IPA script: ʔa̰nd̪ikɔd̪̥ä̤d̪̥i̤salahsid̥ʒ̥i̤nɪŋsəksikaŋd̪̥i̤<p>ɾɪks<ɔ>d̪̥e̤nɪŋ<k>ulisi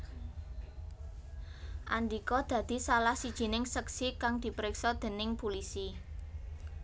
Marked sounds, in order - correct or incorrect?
correct, correct, incorrect: p

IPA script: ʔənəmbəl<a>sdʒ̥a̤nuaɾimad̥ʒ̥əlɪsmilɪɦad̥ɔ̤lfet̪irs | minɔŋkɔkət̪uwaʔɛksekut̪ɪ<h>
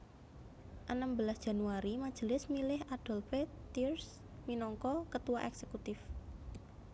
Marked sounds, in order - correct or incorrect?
correct, incorrect: f

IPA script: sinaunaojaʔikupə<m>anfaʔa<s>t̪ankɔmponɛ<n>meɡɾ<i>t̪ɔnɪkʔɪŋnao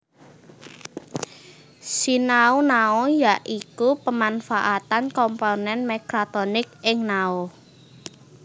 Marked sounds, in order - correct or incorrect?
correct, incorrect: none, correct, incorrect: a

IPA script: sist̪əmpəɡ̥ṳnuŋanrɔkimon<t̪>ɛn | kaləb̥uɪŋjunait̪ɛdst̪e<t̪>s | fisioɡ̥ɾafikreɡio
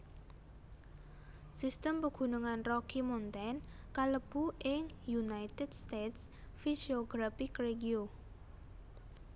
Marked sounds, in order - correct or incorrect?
correct, correct

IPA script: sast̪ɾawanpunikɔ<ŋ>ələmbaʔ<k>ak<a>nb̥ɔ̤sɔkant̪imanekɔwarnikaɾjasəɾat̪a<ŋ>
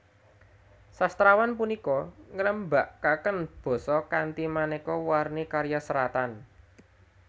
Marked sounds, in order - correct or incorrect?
correct, correct, incorrect: ə, incorrect: n

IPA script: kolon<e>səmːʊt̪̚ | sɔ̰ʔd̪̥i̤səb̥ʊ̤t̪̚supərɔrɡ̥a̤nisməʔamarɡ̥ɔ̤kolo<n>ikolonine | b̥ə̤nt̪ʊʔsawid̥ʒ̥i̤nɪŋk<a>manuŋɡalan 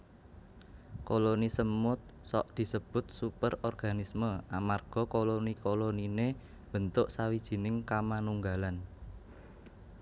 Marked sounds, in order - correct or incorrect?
incorrect: i, correct, correct

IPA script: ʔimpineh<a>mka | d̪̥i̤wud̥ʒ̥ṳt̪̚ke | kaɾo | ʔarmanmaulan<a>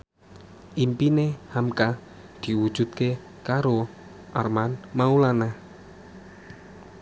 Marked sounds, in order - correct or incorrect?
correct, correct

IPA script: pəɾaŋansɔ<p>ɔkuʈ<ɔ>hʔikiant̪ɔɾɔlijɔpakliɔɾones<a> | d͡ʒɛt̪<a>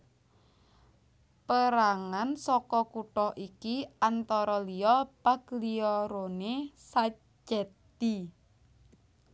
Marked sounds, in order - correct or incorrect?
incorrect: k, correct, correct, incorrect: i

